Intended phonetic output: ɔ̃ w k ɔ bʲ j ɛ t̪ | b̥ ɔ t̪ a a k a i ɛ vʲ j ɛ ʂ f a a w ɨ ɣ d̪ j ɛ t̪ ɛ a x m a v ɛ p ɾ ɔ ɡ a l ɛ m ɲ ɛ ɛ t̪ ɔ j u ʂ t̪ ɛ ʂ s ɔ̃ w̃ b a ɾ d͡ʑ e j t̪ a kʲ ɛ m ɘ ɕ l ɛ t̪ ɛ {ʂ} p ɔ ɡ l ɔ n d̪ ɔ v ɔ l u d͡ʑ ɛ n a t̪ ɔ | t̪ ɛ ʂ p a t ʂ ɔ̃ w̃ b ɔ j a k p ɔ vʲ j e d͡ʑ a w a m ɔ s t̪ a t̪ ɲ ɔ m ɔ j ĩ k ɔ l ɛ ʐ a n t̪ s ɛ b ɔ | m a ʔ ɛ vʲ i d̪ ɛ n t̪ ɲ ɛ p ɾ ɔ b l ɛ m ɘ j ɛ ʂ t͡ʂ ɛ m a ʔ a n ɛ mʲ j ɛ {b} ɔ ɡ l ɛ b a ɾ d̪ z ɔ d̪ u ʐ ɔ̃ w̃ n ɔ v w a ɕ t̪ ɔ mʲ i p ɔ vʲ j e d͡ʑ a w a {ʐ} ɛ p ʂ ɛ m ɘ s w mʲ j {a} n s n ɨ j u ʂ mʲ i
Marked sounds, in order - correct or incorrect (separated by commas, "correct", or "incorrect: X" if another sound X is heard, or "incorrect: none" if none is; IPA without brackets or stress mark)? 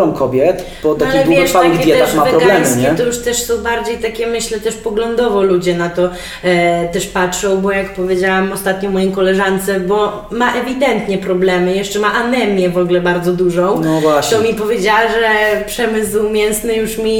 correct, incorrect: v, correct, incorrect: ɛ